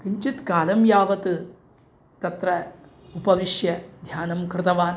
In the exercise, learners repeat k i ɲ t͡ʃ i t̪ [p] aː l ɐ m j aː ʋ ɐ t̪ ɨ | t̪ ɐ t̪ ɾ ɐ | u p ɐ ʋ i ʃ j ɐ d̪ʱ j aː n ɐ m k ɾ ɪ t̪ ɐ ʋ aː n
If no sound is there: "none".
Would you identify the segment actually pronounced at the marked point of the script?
k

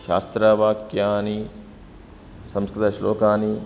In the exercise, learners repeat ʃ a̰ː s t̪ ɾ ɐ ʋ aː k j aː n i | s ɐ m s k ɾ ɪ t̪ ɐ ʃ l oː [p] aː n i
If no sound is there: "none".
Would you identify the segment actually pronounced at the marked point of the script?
k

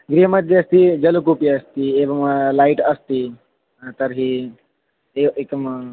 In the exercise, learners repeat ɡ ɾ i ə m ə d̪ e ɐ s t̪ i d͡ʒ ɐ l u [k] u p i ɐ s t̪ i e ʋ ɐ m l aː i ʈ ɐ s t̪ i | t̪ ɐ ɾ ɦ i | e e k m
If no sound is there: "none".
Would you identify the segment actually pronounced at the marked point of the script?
k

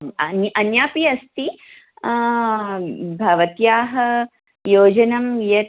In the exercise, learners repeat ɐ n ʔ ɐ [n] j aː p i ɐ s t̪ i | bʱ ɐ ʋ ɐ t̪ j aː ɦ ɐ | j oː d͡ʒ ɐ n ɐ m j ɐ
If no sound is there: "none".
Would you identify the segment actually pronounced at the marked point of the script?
n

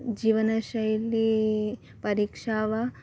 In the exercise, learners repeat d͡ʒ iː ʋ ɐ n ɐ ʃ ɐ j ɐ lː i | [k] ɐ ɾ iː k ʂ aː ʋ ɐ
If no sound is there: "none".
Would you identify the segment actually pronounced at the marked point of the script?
p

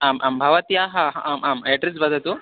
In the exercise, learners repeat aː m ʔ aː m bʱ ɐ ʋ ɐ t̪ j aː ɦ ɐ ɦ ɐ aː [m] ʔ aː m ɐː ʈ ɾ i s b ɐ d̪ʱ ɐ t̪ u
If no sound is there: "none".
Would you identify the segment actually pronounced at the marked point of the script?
m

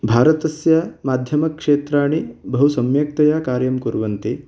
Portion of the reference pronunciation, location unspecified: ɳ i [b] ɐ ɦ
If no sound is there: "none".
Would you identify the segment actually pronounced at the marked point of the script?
b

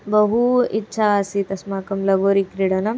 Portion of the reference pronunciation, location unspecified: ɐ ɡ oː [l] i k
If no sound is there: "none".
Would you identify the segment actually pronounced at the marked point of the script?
ɾ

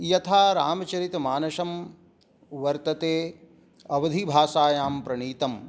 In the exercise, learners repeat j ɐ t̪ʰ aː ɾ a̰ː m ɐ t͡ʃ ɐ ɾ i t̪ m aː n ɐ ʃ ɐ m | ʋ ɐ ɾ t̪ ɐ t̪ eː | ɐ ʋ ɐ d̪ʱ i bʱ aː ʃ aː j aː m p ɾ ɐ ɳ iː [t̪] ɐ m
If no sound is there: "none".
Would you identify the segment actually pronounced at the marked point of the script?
t̪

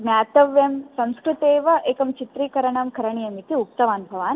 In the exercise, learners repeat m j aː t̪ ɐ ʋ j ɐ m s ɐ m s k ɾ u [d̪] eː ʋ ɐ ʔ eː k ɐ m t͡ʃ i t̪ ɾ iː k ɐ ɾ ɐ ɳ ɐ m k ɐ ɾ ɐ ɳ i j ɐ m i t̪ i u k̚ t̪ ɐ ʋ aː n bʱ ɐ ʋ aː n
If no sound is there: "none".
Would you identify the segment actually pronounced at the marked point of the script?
t̪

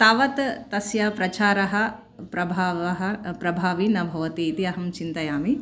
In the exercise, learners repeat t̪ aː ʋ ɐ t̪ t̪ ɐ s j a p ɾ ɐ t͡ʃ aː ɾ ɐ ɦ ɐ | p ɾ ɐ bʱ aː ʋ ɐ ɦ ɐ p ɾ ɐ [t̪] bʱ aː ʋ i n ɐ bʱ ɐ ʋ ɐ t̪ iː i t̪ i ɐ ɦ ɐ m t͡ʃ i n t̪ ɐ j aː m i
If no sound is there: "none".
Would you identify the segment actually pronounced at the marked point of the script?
none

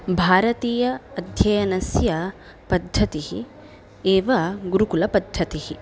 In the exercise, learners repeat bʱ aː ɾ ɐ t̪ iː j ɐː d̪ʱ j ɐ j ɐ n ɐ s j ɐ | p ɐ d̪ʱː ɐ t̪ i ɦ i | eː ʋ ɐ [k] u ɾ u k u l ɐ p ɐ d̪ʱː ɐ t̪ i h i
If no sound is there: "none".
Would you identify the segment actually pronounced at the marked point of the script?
ɡ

